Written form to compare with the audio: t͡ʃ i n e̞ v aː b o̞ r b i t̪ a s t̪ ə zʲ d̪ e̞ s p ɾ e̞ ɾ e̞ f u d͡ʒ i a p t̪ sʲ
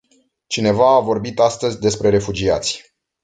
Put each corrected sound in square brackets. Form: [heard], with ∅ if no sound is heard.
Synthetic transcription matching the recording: t͡ʃ i n e̞ v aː [v] o̞ r b i t̪ a s t̪ ə zʲ d̪ e̞ s p ɾ e̞ ɾ e̞ f u d͡ʒ i a [∅] t̪ sʲ